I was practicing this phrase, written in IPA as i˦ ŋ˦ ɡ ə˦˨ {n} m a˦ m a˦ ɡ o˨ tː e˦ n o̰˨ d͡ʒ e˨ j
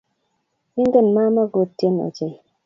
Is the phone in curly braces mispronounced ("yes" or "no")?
no